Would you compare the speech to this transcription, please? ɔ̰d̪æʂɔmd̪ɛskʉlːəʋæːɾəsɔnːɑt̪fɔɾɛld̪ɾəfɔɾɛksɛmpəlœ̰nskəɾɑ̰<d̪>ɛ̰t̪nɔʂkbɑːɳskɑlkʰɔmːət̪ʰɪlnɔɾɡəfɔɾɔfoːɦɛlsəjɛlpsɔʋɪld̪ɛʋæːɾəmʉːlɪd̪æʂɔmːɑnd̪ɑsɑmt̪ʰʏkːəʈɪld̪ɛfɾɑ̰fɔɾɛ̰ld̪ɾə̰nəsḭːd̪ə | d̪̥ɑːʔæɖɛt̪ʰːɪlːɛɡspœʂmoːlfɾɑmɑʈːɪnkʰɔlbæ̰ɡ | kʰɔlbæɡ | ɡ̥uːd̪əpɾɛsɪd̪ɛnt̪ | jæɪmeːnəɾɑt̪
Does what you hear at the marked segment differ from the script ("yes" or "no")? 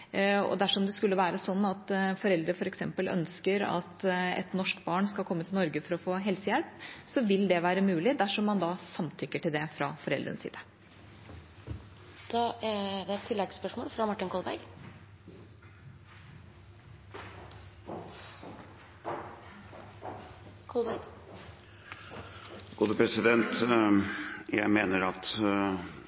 yes